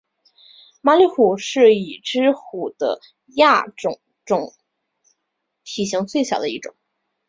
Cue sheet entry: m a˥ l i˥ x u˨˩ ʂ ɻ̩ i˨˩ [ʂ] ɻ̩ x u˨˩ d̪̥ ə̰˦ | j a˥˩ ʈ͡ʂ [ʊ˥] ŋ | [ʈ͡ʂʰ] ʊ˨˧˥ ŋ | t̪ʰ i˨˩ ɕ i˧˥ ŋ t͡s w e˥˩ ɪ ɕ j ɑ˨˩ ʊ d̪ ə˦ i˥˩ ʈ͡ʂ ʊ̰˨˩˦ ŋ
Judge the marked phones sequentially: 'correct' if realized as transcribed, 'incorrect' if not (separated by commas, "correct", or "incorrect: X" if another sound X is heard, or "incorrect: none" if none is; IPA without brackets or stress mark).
incorrect: ʈ͡ʂ, incorrect: ʊ˨˩, incorrect: ʈ͡ʂ